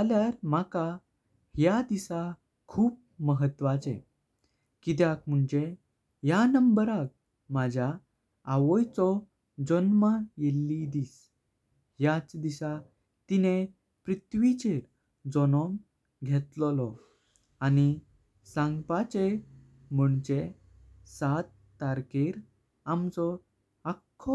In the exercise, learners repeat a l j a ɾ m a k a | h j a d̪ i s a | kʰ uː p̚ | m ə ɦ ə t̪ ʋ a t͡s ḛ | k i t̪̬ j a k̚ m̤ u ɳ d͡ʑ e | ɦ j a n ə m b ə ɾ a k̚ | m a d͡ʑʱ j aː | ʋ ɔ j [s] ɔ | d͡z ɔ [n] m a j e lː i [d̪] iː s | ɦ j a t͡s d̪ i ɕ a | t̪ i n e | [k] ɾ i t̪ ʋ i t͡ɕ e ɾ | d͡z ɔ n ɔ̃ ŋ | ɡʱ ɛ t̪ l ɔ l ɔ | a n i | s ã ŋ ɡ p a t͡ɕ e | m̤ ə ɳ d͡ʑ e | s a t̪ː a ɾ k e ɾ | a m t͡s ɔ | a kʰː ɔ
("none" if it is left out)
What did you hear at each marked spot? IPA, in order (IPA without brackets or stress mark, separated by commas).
t͡s, n, d̪, p